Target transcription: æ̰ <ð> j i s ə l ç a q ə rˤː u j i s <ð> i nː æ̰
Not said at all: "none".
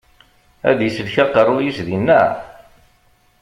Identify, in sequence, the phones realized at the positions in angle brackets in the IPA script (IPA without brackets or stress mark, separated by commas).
ð, ð